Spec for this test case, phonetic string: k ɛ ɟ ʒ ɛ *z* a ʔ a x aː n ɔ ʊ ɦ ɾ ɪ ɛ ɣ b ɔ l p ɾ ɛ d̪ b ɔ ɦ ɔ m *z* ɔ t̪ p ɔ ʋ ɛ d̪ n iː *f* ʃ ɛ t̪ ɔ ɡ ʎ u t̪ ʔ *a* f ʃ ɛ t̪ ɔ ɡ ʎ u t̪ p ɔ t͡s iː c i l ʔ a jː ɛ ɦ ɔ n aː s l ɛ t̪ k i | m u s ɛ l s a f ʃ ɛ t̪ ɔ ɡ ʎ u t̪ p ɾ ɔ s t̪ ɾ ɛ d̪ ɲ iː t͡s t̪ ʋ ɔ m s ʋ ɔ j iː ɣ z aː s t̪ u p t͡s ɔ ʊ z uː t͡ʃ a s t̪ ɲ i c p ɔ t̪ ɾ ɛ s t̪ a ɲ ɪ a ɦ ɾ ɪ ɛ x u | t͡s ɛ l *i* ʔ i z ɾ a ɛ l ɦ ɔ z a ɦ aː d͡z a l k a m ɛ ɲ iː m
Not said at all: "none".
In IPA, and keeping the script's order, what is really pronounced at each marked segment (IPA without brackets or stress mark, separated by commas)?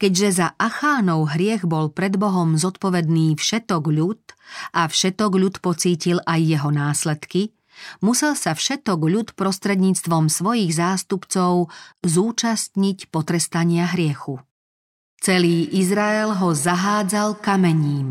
z, z, f, a, iː